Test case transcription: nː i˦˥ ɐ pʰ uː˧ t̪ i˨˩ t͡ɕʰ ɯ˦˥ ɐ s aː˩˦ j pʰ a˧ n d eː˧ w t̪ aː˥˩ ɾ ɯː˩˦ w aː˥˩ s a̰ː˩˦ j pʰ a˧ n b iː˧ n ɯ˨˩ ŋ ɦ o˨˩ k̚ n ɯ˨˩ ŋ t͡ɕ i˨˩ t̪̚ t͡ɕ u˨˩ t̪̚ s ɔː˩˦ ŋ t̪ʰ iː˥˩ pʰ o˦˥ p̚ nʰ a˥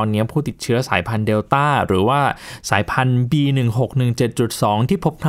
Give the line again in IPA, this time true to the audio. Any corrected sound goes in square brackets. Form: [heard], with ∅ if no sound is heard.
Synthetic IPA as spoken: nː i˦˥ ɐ pʰ [uː˥˩] t̪ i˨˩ t͡ɕʰ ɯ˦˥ ɐ s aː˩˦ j pʰ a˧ n d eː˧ w t̪ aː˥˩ ɾ ɯː˩˦ w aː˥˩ s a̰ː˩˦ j pʰ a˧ n b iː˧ n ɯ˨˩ ŋ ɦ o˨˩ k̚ n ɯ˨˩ ŋ t͡ɕ [e˨˩] t̪̚ t͡ɕ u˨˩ t̪̚ s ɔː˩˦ ŋ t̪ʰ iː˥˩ pʰ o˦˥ p̚ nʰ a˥